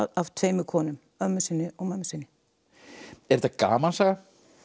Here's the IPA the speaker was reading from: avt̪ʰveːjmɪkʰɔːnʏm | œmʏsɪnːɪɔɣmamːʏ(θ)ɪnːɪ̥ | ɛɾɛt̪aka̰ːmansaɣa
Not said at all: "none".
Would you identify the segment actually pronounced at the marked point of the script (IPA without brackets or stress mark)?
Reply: s